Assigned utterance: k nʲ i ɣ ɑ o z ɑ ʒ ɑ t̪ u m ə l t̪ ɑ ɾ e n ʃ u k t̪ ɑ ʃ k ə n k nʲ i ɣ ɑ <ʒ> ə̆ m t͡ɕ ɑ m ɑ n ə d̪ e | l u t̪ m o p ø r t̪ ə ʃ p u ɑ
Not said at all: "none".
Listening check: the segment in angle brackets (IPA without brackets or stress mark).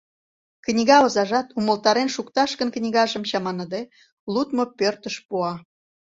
ʒ